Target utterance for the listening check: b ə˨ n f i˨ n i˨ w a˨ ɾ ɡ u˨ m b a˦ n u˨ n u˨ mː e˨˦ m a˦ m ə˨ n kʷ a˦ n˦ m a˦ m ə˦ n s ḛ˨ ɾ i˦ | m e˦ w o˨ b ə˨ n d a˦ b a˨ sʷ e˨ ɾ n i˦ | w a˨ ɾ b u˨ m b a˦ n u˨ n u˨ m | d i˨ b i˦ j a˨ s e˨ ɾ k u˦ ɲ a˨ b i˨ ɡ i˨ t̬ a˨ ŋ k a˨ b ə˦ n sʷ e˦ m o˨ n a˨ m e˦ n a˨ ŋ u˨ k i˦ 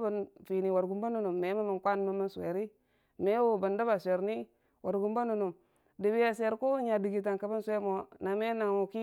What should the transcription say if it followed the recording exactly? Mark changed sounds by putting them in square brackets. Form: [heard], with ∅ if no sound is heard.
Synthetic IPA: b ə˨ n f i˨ n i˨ w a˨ ɾ ɡ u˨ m b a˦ n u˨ n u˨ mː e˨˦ m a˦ m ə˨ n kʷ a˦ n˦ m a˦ m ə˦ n s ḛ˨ ɾ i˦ | m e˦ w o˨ b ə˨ n d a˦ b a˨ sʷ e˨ ɾ n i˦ | w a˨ ɾ [ɡ] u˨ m b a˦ n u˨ n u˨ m | d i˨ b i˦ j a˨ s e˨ ɾ k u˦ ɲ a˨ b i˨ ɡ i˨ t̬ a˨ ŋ k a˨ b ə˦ n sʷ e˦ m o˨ n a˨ m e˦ n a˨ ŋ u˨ k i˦